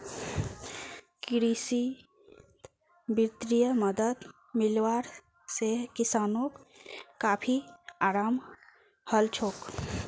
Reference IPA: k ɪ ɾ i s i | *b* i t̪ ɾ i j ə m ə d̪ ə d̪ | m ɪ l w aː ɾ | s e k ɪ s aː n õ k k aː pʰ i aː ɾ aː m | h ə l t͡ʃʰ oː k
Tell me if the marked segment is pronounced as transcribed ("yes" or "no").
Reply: yes